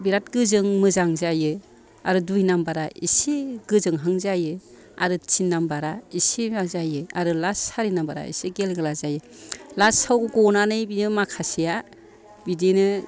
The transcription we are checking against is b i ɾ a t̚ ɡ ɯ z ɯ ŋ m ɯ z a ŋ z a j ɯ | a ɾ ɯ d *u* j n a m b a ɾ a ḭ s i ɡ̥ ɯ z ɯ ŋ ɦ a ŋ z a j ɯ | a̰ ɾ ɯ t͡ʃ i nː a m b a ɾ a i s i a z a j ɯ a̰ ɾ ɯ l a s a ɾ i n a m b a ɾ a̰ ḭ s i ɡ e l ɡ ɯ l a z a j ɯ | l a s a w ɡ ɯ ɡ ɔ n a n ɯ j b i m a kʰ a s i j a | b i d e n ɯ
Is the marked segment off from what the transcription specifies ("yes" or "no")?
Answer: no